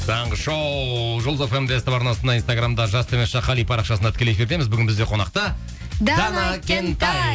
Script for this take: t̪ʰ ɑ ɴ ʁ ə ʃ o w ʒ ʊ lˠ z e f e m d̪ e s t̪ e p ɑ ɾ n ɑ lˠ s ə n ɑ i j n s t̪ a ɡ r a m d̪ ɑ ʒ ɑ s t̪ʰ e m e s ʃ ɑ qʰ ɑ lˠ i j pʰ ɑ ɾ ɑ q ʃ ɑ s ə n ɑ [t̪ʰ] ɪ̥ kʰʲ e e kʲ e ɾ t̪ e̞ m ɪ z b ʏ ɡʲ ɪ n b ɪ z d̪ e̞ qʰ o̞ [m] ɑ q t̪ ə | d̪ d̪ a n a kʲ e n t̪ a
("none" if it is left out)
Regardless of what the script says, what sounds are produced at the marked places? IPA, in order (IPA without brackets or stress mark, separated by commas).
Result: t̪, n